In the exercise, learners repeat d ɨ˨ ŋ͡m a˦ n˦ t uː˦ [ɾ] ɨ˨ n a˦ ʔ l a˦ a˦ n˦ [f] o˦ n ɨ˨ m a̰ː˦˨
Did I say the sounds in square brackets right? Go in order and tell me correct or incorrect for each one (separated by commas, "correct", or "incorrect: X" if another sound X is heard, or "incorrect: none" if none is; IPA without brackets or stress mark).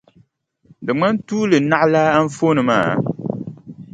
incorrect: l, correct